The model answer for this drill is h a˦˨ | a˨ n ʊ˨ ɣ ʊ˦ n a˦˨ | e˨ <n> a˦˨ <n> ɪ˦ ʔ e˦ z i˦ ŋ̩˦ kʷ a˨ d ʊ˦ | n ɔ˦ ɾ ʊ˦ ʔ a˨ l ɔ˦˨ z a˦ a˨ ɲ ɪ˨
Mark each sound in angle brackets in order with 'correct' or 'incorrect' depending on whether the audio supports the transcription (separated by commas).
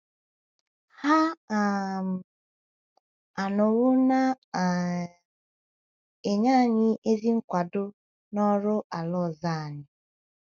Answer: incorrect, incorrect